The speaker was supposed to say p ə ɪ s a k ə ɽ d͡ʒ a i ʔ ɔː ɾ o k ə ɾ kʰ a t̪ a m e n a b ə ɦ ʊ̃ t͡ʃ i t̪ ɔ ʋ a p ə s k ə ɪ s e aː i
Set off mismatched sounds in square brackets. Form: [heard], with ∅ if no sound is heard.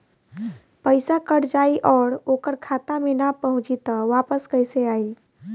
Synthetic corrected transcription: p ə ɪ s a k ə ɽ d͡ʒ a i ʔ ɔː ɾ o k ə ɾ kʰ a t̪ a m e n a [p] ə ɦ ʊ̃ t͡ʃ i t̪ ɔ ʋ a p ə s k ə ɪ s e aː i